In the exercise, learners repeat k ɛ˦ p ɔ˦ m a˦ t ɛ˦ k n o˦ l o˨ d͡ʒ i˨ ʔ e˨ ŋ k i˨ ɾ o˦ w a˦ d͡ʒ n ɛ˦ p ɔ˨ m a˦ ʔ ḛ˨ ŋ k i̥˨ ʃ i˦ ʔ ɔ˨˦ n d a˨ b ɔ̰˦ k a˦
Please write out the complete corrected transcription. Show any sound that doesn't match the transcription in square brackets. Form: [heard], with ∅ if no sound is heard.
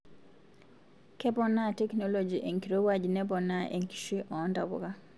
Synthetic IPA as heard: k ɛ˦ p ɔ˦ [n] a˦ t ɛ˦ k n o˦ l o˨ d͡ʒ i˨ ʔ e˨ ŋ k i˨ ɾ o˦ w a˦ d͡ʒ n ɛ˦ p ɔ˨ [n] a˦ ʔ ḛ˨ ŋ k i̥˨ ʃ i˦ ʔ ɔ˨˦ n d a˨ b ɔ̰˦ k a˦